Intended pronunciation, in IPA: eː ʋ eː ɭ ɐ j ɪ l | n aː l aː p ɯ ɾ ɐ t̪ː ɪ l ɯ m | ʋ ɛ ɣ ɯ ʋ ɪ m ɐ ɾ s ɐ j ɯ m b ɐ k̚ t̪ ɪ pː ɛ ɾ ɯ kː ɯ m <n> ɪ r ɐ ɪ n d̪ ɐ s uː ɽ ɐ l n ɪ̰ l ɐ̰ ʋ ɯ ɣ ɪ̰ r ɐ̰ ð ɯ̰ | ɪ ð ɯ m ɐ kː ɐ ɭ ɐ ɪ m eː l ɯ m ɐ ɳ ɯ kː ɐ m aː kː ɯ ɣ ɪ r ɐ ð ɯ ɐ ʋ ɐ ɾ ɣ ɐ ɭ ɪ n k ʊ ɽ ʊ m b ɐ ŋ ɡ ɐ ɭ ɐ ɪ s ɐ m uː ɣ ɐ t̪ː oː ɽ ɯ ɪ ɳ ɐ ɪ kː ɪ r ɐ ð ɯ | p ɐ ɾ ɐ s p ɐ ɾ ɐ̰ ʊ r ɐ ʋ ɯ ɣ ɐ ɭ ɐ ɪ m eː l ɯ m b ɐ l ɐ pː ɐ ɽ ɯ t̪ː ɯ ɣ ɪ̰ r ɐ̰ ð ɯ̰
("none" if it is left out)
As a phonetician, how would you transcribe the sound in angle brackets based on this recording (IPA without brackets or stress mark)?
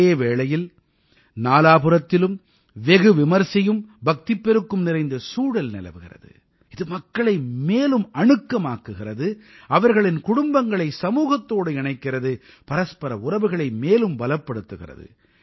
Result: n